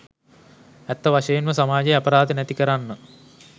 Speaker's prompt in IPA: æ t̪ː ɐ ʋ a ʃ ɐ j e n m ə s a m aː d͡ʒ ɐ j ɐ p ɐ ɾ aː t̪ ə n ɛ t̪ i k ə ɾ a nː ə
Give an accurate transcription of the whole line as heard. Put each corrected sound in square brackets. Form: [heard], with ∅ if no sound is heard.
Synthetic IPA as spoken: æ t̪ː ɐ ʋ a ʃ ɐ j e n m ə s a m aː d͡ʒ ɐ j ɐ p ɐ ɾ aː [d̪] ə n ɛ t̪ i k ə ɾ a nː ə